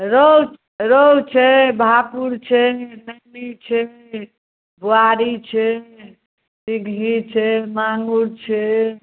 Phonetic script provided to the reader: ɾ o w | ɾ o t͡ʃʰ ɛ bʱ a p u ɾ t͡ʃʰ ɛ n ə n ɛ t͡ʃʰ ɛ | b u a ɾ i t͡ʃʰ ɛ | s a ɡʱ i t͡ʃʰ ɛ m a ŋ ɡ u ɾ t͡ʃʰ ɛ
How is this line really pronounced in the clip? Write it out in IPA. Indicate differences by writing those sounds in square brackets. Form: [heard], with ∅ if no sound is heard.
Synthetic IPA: ɾ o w | ɾ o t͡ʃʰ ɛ bʱ a p u ɾ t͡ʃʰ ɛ n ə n [i] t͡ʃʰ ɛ | b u a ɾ i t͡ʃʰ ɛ | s [i] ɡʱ i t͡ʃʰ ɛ m a ŋ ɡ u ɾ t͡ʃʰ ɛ